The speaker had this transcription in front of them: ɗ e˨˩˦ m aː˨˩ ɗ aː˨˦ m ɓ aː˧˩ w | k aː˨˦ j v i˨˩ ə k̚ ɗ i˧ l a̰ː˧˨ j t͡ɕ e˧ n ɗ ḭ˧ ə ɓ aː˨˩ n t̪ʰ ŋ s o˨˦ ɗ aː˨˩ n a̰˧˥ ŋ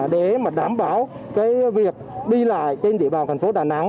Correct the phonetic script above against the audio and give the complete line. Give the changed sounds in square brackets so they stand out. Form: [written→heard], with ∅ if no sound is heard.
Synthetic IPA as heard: ɗ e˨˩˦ m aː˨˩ ɗ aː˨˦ m ɓ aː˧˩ w | k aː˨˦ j v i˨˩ ə k̚ ɗ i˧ l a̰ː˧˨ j t͡ɕ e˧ n ɗ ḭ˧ ə ɓ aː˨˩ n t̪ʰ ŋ [s→f] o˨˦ ɗ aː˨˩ n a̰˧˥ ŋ

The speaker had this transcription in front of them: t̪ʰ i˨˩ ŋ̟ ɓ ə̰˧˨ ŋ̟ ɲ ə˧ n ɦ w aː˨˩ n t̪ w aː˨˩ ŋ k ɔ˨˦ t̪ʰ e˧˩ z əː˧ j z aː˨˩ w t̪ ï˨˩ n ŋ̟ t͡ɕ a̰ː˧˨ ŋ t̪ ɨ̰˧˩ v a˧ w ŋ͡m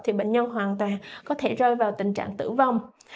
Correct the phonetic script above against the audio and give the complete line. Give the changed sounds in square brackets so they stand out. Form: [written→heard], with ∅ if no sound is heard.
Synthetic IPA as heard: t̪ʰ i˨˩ [ŋ̟→∅] ɓ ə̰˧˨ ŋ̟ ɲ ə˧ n ɦ w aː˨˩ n t̪ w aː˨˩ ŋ k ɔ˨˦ t̪ʰ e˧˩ z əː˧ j [z→v] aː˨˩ w t̪ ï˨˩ [n→∅] ŋ̟ t͡ɕ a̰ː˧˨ ŋ t̪ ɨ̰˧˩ v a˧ w ŋ͡m

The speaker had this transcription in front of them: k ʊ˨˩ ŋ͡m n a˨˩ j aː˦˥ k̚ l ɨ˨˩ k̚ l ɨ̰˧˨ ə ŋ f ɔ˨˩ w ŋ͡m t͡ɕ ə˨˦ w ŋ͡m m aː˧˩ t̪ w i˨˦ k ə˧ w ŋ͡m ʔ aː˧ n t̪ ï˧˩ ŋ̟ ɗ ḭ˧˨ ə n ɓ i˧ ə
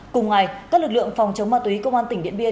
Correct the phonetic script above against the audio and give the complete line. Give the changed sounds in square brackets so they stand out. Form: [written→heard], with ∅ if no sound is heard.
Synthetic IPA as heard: k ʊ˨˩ ŋ͡m [n→ŋ] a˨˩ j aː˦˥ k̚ l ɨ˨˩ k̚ l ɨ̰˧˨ ə ŋ f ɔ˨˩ w ŋ͡m t͡ɕ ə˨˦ w ŋ͡m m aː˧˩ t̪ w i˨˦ k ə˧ w ŋ͡m ʔ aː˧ n t̪ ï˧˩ ŋ̟ ɗ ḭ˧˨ ə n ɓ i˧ ə

